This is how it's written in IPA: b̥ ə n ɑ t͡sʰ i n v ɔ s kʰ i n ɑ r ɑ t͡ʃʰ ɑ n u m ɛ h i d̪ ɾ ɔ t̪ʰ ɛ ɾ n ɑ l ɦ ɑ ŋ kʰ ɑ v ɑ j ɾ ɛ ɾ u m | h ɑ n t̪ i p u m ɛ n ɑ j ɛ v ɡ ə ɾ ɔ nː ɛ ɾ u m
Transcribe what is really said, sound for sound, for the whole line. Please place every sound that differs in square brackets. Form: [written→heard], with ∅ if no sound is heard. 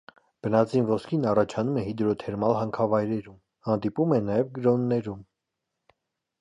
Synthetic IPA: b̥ ə n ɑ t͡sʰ i n v ɔ s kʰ i n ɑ r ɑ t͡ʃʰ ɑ n u m ɛ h i d̪ ɾ ɔ t̪ʰ ɛ ɾ [n→m] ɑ l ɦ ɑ ŋ kʰ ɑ v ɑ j ɾ ɛ ɾ u m | h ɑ n [t̪→d̪] i p u m ɛ n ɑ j ɛ v ɡ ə ɾ ɔ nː ɛ ɾ u m